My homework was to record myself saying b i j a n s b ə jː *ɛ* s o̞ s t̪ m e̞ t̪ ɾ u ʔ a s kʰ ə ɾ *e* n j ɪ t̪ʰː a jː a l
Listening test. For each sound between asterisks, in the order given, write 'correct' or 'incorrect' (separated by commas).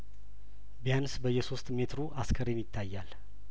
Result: correct, correct